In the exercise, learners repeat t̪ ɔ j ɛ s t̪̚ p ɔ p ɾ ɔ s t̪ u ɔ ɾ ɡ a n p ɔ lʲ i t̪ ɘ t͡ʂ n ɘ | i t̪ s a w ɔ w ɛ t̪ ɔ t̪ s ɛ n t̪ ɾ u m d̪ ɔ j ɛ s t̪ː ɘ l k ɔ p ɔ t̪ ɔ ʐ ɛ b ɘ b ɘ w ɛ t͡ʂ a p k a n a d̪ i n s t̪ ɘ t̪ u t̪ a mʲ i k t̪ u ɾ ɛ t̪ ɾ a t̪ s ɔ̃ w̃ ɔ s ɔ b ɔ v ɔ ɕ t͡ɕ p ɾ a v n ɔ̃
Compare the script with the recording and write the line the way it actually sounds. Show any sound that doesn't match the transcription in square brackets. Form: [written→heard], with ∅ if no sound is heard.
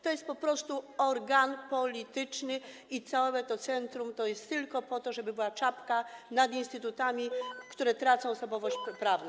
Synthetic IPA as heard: t̪ ɔ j ɛ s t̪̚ p ɔ p ɾ ɔ s t̪ u ɔ ɾ ɡ a n p ɔ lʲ i t̪ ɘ t͡ʂ n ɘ | i t̪ s a w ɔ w ɛ t̪ ɔ t̪ s ɛ n t̪ ɾ u m [d̪→t̪] ɔ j ɛ s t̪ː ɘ l k ɔ p ɔ t̪ ɔ ʐ ɛ b ɘ b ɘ w [ɛ→a] t͡ʂ a p k a n a d̪ i n s t̪ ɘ t̪ u t̪ a mʲ i k t̪ u ɾ ɛ t̪ ɾ a t̪ s ɔ̃ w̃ ɔ s ɔ b ɔ v ɔ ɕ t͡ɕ p ɾ a v n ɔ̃